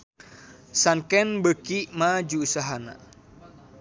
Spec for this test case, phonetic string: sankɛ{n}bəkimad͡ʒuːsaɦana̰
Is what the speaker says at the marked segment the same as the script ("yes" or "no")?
yes